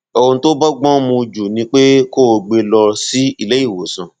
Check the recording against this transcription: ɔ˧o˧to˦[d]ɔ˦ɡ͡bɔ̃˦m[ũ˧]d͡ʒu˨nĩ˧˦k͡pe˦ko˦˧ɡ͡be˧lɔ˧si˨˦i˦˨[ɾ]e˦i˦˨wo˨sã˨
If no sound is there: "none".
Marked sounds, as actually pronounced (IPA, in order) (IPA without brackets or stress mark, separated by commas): b, ũ˧, l